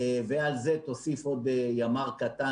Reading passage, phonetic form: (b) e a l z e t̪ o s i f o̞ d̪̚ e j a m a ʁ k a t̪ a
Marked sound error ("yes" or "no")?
yes